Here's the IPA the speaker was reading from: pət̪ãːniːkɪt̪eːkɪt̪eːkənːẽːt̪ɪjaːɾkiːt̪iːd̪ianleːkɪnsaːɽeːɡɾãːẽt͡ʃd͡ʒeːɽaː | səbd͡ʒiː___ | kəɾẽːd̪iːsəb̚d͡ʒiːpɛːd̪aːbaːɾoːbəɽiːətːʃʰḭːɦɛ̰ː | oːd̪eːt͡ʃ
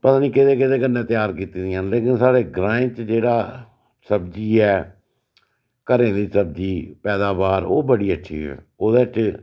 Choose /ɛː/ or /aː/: ɛː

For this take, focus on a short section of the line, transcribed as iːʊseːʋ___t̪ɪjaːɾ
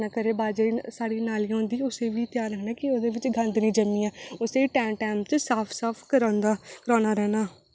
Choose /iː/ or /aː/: iː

